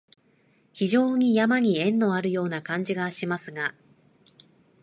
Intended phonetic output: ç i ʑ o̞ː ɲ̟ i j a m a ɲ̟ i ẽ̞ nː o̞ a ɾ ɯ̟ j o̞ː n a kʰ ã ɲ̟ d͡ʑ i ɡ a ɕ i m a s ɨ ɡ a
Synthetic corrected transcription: ç i ʑ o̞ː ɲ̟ i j a m a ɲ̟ i ẽ̞ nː o̞ a ɾ ɯ̟ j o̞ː n a k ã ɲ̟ d͡ʑ i ɡ a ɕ i m a s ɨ ɡ a